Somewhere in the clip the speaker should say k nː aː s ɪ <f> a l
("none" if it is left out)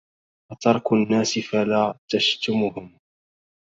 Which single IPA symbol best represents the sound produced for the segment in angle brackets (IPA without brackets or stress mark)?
f